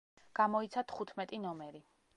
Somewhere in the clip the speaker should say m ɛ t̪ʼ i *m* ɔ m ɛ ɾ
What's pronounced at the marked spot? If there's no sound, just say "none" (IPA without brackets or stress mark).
n